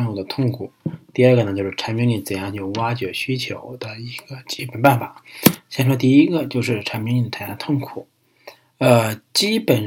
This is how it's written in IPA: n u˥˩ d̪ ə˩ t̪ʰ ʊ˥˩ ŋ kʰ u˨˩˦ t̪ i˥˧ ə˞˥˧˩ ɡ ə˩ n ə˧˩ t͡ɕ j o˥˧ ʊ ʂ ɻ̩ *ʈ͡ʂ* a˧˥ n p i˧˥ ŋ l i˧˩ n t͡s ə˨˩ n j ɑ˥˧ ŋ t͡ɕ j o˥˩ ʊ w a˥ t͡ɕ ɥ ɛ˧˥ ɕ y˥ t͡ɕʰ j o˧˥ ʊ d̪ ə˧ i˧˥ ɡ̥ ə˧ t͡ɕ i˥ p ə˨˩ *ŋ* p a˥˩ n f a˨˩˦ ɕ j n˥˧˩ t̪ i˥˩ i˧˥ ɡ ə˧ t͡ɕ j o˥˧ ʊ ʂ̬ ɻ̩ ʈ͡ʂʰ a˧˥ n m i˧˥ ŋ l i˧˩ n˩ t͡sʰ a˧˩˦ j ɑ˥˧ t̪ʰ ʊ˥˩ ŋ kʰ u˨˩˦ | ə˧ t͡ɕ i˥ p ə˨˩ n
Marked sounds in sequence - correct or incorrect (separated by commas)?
incorrect, incorrect